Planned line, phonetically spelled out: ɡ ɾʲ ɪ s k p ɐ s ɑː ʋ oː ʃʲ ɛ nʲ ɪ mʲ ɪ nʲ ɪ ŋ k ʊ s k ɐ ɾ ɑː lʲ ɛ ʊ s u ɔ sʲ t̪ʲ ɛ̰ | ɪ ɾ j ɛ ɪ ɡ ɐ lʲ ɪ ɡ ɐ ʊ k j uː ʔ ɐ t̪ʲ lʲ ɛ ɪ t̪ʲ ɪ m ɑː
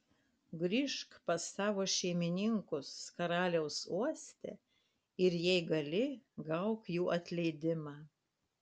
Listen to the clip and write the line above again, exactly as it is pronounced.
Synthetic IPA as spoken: ɡ ɾʲ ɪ ʃ k p ɐ s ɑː ʋ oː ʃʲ ɛ ɪ mʲ ɪ nʲ ɪ ŋ k ʊ s k ɐ ɾ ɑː lʲ ɛ ʊ s u ɔ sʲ t̪ʲ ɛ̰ | ɪ ɾ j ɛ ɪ ɡ ɐ lʲ ɪ ɡ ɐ ʊ k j uː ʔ ɐ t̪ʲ lʲ ɛ ɪ d̪ʲ ɪ m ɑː